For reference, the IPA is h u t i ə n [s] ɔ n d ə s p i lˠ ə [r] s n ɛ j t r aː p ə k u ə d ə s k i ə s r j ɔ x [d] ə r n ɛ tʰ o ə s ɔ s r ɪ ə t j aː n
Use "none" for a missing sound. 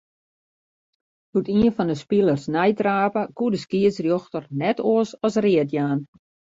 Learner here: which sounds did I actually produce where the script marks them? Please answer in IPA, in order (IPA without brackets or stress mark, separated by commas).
f, r, t